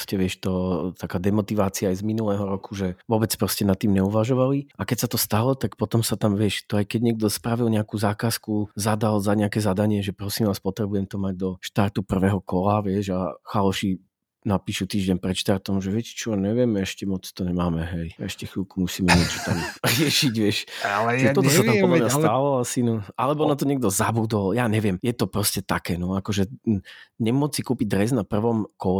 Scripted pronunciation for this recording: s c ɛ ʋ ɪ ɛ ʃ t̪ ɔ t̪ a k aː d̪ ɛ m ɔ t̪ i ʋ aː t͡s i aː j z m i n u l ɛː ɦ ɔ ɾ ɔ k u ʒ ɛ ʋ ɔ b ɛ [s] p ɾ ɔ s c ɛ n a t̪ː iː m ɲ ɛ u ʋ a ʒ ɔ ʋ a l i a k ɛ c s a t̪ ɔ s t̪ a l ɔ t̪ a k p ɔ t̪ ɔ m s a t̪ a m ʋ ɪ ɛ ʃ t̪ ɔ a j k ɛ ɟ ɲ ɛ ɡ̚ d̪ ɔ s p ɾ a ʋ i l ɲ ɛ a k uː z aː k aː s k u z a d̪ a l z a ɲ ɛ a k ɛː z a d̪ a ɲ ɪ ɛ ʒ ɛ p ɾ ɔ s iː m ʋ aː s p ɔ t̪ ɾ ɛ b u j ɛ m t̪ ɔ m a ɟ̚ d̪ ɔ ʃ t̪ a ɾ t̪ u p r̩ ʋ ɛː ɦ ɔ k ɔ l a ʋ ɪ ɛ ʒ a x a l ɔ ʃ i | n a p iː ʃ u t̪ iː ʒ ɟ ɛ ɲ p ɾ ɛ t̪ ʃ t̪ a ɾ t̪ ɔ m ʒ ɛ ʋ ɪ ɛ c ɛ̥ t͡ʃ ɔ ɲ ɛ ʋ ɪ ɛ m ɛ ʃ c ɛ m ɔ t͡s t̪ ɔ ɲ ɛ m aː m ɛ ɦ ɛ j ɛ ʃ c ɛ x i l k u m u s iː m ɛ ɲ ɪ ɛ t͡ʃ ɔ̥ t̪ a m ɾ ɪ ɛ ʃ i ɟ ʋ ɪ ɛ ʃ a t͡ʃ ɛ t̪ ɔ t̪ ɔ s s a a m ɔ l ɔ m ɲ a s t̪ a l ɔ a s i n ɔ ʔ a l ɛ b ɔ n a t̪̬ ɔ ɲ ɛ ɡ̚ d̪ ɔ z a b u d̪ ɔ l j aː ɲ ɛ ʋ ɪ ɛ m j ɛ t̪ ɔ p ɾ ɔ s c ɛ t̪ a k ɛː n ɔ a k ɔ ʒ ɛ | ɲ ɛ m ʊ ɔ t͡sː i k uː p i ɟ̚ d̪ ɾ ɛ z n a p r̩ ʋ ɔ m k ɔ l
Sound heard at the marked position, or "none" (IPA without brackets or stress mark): t͡s